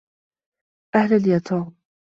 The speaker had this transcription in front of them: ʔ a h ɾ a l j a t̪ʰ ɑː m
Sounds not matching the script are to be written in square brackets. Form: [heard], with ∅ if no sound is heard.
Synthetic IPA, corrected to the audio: ʔ a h [l] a l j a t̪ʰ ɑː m